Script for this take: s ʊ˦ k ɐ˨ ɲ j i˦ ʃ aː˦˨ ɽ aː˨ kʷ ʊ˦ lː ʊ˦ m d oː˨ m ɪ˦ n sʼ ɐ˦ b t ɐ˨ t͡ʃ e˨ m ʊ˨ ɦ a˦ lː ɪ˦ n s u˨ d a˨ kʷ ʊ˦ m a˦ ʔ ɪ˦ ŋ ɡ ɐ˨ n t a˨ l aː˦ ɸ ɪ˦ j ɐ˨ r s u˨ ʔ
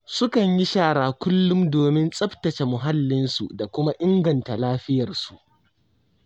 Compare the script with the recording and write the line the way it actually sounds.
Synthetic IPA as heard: s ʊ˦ k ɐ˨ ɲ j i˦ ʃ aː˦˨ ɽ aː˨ kʷ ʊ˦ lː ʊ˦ m d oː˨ m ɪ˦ n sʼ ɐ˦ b t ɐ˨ t͡ʃ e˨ m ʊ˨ ɦ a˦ lː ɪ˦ n s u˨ d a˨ kʷ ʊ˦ m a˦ ʔ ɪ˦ ŋ ɡ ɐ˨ n t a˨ l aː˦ ɸ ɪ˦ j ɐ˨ r s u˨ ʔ